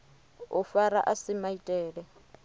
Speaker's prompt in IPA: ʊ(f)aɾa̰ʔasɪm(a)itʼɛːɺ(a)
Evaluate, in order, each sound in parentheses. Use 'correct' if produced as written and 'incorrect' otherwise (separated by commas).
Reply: correct, correct, incorrect